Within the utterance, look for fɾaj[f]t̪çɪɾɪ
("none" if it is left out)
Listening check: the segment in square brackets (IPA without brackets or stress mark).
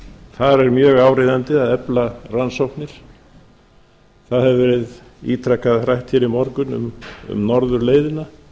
h